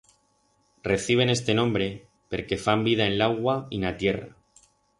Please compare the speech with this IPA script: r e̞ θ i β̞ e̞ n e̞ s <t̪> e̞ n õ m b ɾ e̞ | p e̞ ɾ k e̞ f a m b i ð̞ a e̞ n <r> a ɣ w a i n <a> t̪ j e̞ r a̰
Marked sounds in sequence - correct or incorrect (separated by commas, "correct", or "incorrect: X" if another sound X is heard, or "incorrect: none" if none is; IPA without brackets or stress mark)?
correct, incorrect: l, correct